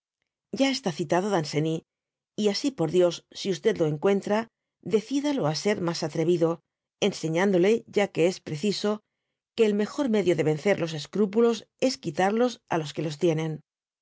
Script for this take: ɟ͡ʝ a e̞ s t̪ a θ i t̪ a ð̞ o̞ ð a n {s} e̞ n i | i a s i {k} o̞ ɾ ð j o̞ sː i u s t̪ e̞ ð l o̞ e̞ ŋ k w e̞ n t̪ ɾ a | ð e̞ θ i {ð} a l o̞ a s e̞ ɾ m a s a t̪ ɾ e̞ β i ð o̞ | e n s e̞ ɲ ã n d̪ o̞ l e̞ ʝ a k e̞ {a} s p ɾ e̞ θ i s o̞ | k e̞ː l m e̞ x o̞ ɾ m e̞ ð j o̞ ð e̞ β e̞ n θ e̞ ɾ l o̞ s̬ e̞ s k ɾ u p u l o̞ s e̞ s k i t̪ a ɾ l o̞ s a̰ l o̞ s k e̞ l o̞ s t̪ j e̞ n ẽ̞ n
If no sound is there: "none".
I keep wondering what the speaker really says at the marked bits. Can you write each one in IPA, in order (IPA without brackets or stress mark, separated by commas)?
s, p, ð, e